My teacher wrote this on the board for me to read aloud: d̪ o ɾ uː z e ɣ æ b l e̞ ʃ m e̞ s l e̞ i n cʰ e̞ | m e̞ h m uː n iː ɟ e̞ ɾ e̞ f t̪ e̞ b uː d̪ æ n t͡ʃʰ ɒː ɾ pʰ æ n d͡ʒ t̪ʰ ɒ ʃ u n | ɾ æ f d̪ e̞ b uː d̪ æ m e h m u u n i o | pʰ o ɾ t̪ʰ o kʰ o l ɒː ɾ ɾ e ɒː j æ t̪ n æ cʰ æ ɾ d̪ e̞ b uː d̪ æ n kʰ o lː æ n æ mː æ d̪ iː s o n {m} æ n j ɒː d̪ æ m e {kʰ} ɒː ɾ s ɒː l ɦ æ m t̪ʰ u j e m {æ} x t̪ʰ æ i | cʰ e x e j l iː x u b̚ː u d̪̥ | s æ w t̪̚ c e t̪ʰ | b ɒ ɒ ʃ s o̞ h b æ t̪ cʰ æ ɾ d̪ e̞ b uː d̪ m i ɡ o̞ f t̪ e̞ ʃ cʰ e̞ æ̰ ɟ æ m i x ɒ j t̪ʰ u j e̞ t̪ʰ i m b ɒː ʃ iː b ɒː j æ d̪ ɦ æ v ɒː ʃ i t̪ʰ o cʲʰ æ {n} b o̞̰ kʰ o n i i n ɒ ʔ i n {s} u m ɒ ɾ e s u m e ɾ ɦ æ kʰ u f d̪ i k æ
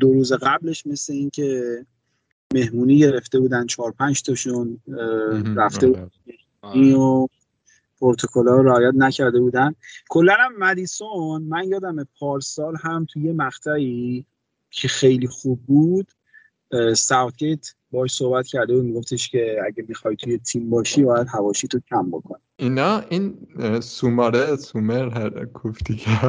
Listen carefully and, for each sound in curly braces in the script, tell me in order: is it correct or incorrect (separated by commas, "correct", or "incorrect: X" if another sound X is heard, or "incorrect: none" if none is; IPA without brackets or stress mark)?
correct, incorrect: pʰ, correct, incorrect: m, correct